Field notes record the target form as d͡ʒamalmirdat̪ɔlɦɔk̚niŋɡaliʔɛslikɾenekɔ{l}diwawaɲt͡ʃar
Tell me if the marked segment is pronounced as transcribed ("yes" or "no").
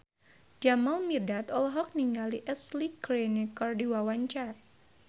no